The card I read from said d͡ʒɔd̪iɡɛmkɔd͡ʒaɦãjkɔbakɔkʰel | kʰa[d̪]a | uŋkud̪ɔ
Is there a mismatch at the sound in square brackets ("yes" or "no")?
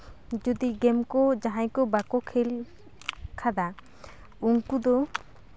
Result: no